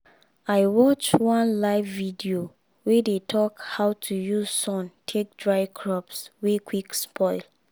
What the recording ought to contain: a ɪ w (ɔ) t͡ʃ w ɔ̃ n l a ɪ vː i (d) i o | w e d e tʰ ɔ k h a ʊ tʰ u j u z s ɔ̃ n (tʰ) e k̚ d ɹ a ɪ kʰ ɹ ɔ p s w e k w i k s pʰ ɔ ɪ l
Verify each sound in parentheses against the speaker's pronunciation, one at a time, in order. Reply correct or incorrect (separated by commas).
correct, correct, correct